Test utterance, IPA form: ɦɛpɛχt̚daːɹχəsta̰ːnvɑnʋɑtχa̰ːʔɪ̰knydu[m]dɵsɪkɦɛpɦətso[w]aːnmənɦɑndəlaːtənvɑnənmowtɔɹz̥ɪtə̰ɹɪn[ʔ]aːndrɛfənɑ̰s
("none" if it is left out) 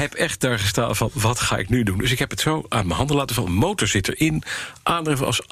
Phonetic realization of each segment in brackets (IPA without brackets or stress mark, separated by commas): n, w, ʔ